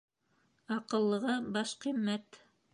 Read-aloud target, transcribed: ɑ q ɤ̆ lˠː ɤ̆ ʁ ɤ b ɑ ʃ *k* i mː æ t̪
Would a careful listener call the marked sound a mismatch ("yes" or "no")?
yes